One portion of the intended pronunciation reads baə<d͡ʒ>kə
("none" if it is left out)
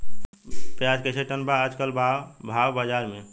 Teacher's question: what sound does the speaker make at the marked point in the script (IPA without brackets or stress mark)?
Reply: d͡ʒ